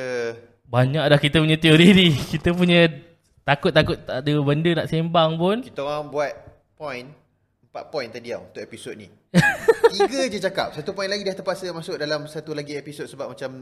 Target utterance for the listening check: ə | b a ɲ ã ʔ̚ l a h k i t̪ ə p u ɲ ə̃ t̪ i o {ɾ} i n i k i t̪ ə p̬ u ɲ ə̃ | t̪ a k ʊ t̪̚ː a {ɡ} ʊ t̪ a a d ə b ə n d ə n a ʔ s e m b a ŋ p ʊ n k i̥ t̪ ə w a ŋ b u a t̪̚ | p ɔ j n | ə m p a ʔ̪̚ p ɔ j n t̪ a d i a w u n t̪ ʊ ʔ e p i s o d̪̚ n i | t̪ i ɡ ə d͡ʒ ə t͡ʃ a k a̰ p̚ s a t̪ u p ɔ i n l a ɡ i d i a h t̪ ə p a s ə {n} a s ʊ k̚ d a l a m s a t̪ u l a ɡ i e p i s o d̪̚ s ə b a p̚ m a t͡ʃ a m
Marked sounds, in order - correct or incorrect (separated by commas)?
correct, incorrect, incorrect